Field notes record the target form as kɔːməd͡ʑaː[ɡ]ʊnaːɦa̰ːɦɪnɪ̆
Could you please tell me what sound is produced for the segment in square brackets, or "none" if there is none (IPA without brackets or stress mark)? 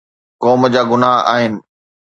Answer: ɡ